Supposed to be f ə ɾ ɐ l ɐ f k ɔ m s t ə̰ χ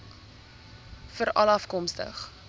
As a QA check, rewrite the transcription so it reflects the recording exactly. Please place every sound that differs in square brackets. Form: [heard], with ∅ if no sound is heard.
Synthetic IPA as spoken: f ə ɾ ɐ l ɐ f k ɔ m s t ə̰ χ